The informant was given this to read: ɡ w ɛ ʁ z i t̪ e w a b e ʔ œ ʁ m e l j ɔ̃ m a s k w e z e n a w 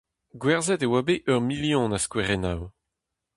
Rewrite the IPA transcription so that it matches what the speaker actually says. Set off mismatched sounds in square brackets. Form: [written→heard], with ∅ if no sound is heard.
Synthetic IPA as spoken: ɡ w ɛ ʁ z [i→ɛ] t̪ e w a b e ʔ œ ʁ m [e→i] l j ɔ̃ [m→n] a s k w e [z→ʁ] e n a w